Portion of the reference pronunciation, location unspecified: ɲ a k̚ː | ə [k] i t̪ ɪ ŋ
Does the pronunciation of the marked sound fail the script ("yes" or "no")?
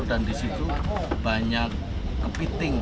yes